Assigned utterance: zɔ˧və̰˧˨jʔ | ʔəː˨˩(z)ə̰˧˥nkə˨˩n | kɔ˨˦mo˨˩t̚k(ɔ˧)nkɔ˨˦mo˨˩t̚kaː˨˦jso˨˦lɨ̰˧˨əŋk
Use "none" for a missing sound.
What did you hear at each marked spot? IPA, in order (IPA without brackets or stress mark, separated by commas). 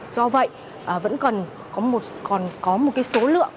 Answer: v, ɔ˨˩